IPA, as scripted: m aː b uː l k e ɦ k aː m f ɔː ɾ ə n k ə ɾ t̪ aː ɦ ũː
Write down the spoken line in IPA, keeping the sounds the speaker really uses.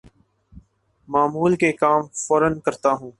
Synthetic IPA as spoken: m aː m uː l k e k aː m f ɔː ɾ ə n k ə ɾ t̪ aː ɦ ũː